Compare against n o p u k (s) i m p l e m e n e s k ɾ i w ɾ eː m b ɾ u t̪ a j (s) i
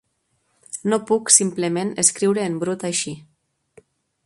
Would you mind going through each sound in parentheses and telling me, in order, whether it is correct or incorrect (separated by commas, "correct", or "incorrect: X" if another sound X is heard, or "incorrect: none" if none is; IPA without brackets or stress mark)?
correct, incorrect: ʃ